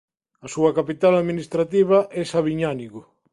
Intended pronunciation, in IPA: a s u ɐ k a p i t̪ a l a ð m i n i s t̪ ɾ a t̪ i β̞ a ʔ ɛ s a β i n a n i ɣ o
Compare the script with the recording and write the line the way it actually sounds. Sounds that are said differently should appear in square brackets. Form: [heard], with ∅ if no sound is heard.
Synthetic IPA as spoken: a s u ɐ k a p i t̪ a l a ð m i n i s t̪ ɾ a t̪ i β̞ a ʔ ɛ s a β i [ɲ] a n i ɣ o